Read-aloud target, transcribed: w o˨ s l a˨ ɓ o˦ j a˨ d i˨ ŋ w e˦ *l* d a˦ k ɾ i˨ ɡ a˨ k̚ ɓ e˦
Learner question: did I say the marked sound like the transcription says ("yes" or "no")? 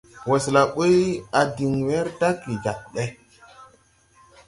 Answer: no